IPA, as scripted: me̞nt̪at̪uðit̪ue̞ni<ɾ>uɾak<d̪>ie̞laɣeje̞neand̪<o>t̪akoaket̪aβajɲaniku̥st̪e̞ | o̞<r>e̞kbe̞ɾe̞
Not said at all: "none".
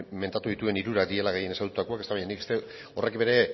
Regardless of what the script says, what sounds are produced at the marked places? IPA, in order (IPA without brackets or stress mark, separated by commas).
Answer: ɾ, d̪, u, r